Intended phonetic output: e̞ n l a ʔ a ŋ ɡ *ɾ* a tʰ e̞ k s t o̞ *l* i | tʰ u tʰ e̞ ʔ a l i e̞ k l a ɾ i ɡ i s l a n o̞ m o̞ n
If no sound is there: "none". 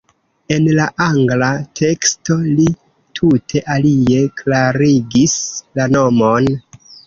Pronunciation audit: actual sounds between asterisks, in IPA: l, l

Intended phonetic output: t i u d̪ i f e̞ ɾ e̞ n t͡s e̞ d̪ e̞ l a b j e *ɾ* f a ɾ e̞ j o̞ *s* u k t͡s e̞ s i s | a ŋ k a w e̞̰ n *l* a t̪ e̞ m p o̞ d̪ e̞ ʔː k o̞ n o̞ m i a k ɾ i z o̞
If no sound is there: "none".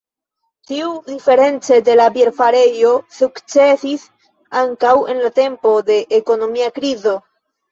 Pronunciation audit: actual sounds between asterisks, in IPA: ɾ, s, l

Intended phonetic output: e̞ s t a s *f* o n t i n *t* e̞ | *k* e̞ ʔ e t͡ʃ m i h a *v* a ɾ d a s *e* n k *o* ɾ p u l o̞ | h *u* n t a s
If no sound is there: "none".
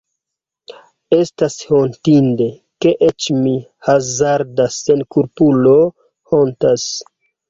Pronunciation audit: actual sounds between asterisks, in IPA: h, d, k, z, e, u, o

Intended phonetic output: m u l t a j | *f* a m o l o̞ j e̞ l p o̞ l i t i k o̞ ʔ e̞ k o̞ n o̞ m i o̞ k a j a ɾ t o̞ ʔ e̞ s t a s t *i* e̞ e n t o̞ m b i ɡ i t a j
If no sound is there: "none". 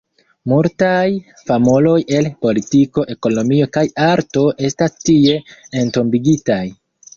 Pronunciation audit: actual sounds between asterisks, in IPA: f, i

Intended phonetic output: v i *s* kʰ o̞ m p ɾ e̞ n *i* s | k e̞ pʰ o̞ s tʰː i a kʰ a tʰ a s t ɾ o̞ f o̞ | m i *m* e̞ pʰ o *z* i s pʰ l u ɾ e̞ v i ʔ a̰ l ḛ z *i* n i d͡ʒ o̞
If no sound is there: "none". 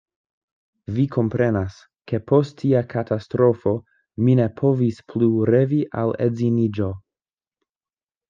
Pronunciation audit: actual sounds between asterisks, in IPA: none, a, n, v, i

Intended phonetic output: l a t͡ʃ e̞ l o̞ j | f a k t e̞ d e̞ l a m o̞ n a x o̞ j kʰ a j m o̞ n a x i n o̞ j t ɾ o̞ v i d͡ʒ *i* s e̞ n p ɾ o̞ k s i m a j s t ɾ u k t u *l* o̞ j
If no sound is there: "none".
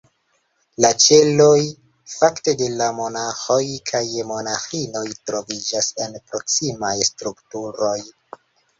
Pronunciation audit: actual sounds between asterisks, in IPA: a, ɾ

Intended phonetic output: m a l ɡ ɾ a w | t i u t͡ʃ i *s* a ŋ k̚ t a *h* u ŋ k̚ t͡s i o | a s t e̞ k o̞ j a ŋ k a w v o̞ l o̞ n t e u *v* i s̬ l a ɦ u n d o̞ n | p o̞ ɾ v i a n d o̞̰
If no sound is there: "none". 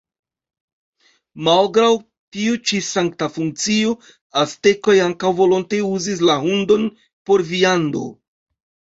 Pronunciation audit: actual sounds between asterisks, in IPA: s, f, z

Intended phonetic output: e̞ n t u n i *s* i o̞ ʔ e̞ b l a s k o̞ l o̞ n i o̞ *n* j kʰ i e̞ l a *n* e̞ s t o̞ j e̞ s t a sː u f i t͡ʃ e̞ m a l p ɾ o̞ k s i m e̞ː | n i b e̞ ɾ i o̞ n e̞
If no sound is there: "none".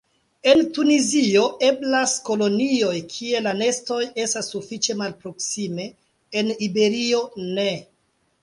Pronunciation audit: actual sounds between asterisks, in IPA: z, none, n

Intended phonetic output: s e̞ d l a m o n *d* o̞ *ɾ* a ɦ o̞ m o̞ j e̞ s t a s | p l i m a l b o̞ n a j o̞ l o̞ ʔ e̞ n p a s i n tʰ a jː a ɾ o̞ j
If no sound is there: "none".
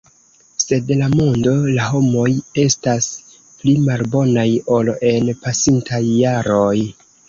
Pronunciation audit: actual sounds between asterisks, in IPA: d, l

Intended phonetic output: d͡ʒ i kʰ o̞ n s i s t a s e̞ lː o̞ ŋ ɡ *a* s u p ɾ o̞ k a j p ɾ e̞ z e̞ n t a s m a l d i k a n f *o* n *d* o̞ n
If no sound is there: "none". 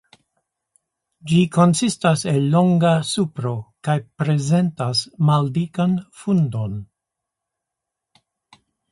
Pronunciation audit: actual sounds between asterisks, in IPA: a, u, d

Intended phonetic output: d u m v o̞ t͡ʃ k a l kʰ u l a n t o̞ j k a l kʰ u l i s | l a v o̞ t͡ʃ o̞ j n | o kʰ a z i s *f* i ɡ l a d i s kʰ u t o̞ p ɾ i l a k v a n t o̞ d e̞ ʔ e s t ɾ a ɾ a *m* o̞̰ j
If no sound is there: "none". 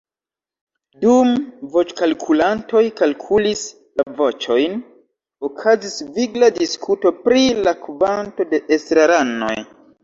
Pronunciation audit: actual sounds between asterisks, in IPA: v, n

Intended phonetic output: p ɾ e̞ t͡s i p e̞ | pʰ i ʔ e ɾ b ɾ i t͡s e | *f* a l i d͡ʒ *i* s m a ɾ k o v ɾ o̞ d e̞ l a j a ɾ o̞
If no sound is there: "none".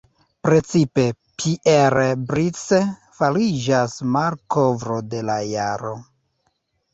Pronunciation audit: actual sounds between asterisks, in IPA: f, a

